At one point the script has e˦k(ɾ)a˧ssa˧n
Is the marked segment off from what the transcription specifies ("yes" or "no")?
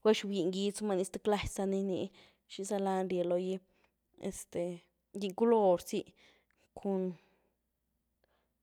yes